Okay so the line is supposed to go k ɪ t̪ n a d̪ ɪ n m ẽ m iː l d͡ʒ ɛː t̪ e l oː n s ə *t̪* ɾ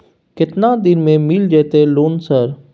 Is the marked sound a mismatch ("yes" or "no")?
yes